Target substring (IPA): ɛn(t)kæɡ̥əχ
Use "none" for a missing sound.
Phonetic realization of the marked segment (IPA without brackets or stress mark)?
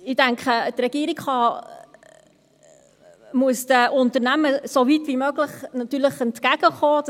t